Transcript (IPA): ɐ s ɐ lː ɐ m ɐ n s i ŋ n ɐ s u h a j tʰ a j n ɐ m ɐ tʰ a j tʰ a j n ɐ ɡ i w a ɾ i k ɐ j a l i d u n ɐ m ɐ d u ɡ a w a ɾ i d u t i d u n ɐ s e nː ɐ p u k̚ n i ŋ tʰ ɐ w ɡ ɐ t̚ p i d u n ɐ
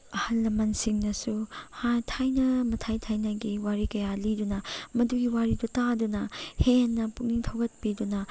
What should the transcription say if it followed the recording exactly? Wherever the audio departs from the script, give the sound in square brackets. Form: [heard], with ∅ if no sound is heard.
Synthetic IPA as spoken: ɐ [h] ɐ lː ɐ m ɐ n s i ŋ n ɐ s u h a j tʰ a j n ɐ m ɐ tʰ a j tʰ a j n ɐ ɡ i w a ɾ i k ɐ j a l i d u n ɐ m ɐ d u ɡ [i] w a ɾ i d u t [a] d u n ɐ [h] e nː ɐ p u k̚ n i ŋ tʰ ɐ w ɡ ɐ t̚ p i d u n ɐ